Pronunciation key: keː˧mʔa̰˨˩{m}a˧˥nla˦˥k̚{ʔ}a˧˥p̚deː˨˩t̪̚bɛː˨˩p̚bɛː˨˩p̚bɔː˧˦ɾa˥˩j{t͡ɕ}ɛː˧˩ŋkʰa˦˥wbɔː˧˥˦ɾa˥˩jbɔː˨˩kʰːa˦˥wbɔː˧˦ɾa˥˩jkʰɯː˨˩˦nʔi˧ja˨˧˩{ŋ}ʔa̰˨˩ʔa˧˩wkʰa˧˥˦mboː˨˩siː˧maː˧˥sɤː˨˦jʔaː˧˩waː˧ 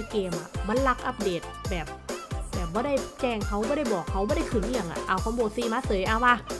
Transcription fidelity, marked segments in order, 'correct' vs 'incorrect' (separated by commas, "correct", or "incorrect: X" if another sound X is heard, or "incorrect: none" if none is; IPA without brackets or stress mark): correct, correct, correct, correct